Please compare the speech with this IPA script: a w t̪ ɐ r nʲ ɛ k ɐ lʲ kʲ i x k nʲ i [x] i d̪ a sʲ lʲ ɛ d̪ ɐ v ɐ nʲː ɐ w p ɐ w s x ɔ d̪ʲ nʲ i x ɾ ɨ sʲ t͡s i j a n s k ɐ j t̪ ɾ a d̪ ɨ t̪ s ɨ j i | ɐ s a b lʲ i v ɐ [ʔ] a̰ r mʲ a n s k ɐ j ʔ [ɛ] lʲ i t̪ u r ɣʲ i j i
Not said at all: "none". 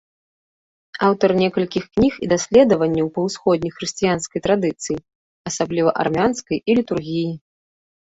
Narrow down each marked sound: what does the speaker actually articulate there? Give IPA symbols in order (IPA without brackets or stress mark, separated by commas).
x, ʔ, i